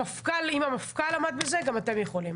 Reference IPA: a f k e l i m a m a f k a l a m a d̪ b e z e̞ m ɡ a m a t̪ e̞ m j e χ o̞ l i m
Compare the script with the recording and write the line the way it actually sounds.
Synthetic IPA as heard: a f k a l i m a m a f k a l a m a d̪ b e z e̞ ɡ a m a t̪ e̞ m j e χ o̞ l i m

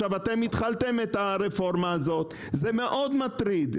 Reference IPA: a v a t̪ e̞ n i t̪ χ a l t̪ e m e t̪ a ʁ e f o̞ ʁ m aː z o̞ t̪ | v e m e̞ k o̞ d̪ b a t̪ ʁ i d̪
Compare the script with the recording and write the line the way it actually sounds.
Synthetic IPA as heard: a v a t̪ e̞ m i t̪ χ a l t̪ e m e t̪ a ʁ e f o̞ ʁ m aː z o̞ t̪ | z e m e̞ ʔ o̞ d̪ m a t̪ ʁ i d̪

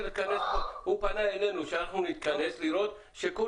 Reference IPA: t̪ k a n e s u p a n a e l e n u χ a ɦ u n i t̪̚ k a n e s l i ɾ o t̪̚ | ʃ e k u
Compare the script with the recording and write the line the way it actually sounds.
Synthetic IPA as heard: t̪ k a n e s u p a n a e l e n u ʃ a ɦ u n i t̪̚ k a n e s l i ɾ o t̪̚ | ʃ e k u

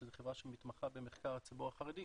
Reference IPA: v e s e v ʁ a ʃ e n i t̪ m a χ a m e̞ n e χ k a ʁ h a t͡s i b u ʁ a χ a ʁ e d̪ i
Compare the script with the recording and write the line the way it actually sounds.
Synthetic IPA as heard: z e χ e v ʁ a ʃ e m i t̪ m a χ a b e̞ m e χ k a ʁ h a t͡s i b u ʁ a χ a ʁ e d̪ i

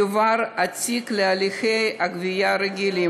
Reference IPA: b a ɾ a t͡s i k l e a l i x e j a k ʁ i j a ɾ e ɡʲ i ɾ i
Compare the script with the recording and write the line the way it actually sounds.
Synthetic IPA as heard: v a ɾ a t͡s i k l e a l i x e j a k v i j a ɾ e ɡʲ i l i

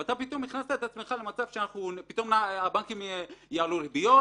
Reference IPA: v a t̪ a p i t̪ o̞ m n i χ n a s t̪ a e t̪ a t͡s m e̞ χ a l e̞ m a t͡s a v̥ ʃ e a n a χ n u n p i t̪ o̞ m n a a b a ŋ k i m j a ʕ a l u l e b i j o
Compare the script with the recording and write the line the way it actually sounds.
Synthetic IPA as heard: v a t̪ a p i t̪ o̞ m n i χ n a s t̪ a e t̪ a t͡s m e̞ χ a l e̞ m a t͡s a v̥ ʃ e a n a χ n u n p i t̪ o̞ m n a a b a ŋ k i m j a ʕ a l u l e b i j o

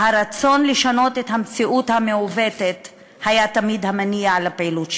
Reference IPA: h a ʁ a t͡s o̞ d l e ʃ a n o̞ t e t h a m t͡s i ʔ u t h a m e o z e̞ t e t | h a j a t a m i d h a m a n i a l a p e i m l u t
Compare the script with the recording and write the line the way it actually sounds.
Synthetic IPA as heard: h a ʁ a t͡s o̞ n l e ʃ a n o̞ t e t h a m t͡s i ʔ u t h a m e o v e̞ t e t | h a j a t a m i d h a m a n i a l a p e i l u t

